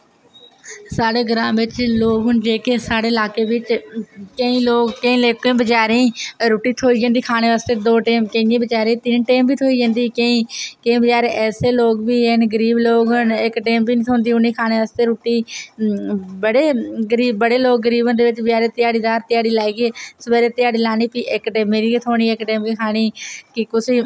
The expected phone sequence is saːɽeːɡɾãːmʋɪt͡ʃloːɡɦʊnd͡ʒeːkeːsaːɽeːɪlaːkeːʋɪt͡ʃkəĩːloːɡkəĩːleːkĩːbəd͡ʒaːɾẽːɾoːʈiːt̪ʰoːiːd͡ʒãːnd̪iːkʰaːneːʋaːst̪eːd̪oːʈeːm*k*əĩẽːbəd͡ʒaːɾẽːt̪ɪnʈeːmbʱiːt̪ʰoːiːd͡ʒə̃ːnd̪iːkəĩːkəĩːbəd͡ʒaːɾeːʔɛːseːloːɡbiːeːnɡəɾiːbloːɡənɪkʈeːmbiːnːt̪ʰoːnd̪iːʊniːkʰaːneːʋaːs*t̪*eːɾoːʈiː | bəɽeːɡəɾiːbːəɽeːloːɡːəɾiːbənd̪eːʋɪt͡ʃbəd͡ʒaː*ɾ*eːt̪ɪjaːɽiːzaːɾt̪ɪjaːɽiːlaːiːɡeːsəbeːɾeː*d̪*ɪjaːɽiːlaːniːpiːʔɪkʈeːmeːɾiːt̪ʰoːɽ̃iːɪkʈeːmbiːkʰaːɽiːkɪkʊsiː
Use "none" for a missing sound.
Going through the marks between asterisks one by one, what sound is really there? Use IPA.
k, t̪, ɾ, t̪

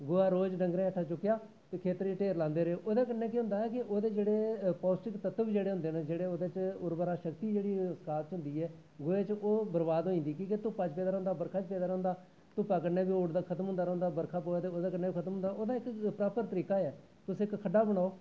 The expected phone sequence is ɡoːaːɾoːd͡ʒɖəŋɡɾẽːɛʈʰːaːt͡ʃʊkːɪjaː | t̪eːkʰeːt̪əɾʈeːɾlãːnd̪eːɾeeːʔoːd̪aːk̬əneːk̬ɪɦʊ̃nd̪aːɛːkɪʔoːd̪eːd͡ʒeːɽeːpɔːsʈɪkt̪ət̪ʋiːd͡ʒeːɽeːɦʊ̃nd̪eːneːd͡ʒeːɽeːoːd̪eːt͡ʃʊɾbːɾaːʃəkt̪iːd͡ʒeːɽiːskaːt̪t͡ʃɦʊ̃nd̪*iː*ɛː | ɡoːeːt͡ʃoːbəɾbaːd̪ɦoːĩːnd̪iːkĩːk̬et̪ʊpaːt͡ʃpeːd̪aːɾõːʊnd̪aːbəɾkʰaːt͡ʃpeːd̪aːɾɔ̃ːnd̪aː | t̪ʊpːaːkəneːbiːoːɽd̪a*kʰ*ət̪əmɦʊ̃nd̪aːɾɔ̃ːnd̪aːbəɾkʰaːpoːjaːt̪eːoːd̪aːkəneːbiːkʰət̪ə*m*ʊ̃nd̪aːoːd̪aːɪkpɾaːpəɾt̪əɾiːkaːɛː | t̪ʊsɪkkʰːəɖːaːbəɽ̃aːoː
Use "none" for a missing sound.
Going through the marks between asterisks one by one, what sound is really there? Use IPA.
iː, kʰ, m

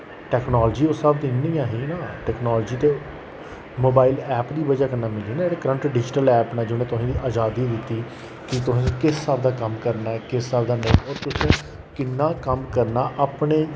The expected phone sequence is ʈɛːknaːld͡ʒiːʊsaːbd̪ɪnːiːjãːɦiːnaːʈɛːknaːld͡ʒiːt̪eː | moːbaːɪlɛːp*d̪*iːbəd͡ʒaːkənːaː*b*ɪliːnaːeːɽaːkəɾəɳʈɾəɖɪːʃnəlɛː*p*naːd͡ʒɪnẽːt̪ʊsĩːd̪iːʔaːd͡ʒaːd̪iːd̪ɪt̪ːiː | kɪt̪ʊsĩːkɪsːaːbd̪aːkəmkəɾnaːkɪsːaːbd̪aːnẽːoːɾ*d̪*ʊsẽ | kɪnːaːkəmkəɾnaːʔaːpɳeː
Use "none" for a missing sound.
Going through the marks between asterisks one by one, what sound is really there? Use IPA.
d̪, m, p, t̪

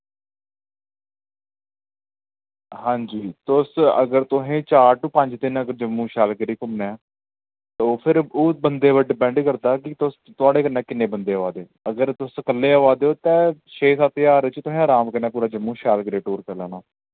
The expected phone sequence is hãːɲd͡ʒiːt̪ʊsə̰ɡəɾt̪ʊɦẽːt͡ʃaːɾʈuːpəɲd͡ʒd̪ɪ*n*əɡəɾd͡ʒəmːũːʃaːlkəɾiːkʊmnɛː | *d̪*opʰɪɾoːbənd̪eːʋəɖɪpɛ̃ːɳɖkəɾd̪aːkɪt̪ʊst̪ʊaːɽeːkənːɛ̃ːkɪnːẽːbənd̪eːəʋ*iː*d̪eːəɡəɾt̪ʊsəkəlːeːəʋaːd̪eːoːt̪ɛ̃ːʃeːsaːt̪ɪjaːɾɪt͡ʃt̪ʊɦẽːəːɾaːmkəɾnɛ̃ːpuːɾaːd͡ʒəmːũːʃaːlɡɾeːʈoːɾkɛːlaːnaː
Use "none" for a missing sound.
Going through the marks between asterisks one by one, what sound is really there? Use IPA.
n, t̪, aː

